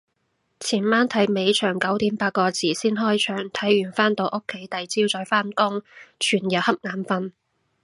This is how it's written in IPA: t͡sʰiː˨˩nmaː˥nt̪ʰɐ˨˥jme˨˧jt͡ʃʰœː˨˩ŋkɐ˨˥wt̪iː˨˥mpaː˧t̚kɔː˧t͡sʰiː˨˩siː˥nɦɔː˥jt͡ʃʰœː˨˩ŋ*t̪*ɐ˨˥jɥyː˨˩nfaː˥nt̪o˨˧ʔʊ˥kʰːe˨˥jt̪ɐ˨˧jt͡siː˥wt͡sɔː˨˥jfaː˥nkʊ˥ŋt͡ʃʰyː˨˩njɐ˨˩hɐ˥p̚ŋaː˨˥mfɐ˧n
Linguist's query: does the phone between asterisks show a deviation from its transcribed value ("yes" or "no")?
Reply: yes